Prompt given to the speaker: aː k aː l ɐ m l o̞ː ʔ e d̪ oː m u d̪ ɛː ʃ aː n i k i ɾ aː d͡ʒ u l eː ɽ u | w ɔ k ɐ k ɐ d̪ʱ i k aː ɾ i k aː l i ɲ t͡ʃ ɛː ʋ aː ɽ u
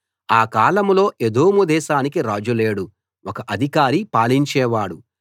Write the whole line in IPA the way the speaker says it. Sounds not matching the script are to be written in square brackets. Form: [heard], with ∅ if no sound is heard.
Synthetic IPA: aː k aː l ɐ m l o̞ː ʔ e d̪ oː m u d̪ ɛː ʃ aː n i k i ɾ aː d͡ʒ u l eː ɽ u | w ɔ k ɐ [ʔ] ɐ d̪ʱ i k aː ɾ i [p] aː l i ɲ t͡ʃ ɛː ʋ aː ɽ u